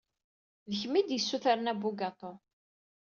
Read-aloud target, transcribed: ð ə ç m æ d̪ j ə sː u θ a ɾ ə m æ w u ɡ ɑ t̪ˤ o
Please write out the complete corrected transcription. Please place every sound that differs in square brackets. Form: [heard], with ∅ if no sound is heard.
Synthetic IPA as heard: ð ə ç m [i] d̪ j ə sː u θ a ɾ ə [n] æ [b] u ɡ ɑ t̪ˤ o